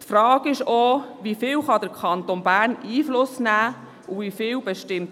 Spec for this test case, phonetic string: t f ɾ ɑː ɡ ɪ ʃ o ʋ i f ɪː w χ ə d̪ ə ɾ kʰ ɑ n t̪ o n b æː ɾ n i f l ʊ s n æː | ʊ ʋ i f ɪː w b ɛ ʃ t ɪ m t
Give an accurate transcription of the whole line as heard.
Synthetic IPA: t f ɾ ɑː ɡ ɪ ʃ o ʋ i f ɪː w χ ɑ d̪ ə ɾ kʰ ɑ n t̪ o n b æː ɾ n iː f l ʊ s n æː | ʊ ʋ i f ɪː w b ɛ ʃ t ɪ m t